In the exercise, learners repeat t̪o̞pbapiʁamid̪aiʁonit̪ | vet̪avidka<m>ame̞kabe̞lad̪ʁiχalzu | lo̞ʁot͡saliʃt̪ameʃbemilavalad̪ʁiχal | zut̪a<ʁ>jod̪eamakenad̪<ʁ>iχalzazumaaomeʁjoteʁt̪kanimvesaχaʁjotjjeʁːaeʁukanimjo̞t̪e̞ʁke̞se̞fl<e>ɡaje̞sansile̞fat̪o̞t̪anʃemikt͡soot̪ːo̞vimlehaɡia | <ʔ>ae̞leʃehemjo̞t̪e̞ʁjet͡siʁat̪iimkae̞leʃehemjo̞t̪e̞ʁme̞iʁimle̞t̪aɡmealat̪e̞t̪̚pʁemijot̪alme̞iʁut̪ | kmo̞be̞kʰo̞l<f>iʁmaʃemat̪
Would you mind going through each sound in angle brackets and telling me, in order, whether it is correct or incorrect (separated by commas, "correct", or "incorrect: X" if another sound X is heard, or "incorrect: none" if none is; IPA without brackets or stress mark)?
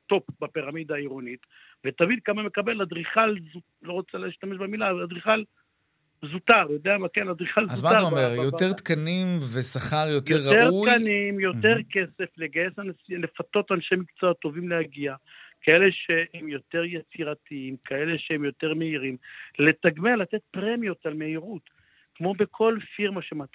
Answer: correct, correct, correct, correct, incorrect: k, correct